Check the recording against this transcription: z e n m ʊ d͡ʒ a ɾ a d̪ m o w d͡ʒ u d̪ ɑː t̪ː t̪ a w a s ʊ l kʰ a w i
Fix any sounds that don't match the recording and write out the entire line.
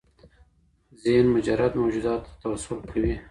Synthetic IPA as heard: z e n m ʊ d͡ʒ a ɾ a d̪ m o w d͡ʒ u d̪ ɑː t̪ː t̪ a w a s ʊ l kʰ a w i